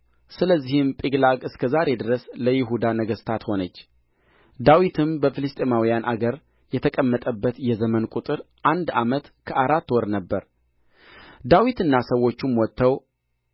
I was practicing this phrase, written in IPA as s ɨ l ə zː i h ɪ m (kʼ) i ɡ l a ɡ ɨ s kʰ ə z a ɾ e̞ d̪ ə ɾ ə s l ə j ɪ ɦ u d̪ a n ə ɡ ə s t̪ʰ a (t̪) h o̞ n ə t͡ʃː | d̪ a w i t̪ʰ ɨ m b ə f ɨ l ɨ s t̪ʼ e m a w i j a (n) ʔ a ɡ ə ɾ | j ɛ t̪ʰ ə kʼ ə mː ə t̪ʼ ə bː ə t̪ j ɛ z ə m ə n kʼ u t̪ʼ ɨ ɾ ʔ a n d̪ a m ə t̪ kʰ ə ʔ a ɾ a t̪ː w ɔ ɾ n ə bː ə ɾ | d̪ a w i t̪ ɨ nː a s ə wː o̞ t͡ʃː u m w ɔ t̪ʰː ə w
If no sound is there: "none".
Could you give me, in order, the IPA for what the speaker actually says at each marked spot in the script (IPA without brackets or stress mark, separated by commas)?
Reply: pʼ, t̪, n